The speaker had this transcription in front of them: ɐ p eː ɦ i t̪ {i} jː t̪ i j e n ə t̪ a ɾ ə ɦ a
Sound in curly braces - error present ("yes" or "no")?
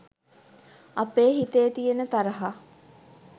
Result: yes